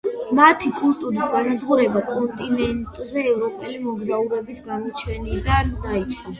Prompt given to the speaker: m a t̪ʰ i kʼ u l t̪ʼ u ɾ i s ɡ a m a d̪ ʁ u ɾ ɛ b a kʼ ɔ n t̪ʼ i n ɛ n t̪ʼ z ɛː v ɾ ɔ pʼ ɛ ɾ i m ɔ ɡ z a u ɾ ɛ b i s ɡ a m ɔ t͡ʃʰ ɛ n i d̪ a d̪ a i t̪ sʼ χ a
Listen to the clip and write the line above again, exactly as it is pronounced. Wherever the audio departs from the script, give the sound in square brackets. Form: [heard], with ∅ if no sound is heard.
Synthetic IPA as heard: m a t̪ʰ i kʼ u l t̪ʼ u ɾ i s ɡ a [n] a d̪ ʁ u ɾ ɛ b a kʼ ɔ n t̪ʼ i n ɛ n t̪ʼ z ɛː v ɾ ɔ pʼ ɛ [l] i m ɔ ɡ z a u ɾ ɛ b i s ɡ a m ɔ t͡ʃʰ ɛ n i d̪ a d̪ a i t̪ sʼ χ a